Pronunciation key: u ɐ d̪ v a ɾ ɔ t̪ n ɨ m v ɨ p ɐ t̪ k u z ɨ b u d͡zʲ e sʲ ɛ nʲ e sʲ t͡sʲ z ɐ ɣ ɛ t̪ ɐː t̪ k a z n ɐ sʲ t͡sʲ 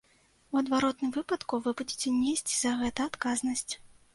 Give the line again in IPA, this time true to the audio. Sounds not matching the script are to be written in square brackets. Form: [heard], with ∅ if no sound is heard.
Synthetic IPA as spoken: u ɐ d̪ v a ɾ ɔ t̪ n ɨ m v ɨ p ɐ t̪ k u [v] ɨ b u d͡zʲ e [t͡sʲ] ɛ nʲ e sʲ t͡sʲ z ɐ ɣ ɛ t̪ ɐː t̪ k a z n ɐ sʲ t͡sʲ